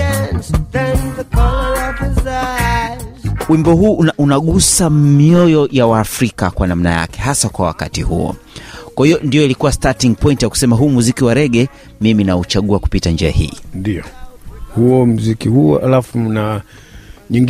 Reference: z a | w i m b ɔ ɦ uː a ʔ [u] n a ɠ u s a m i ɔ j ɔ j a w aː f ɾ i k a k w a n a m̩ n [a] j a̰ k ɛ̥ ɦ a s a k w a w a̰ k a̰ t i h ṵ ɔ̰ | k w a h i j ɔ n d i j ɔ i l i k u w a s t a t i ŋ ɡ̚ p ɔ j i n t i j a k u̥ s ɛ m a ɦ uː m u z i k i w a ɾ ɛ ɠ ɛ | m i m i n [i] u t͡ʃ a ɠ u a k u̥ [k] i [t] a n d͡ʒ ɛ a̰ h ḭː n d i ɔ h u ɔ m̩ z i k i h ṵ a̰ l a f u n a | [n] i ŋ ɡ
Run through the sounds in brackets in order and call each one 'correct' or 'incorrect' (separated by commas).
correct, correct, incorrect, incorrect, correct, incorrect